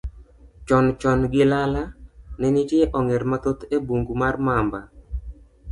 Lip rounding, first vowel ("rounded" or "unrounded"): rounded